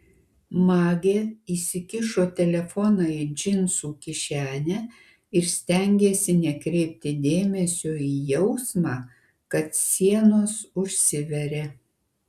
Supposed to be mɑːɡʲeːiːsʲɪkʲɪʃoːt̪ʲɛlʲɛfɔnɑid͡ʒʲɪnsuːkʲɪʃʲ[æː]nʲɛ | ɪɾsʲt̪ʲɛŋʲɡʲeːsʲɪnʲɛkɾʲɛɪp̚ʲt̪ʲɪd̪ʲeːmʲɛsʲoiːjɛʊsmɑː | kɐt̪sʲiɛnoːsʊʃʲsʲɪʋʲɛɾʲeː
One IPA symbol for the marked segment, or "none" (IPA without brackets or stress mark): æː